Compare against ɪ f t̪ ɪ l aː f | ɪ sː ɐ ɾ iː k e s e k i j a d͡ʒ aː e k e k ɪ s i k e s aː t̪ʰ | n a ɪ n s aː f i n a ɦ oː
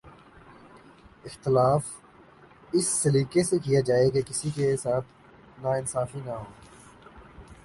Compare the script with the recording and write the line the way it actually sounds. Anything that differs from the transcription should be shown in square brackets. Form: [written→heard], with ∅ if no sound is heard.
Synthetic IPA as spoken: ɪ [f→x] t̪ ɪ l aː f | ɪ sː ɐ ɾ iː k e s e k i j a d͡ʒ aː e k e k ɪ s i k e s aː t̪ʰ | n a ɪ n s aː f i n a ɦ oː